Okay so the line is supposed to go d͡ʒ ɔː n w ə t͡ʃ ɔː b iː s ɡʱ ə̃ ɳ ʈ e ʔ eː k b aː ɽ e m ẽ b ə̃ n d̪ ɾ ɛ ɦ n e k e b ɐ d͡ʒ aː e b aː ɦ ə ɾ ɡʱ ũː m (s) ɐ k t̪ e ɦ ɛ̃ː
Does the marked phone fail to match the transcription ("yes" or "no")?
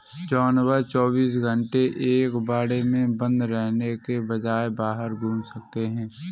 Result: no